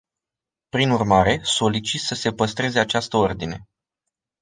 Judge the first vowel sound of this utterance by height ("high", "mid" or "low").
high